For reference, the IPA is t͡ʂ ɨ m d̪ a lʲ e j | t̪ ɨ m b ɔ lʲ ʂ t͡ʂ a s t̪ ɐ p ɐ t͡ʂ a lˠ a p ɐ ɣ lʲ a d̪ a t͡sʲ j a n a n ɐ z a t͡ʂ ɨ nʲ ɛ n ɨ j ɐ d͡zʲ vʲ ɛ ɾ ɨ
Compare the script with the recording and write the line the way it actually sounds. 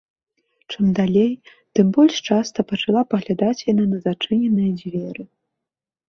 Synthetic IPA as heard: t͡ʂ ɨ m d̪ a lʲ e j | t̪ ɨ m b ɔ lʲ ʂ t͡ʂ a s t̪ ɐ p ɐ t͡ʂ a lˠ a p ɐ ɣ lʲ a d̪ a t͡sʲ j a n a n ɐ z a t͡ʂ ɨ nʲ ɛ n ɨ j ɐ d͡zʲ vʲ ɛ ɾ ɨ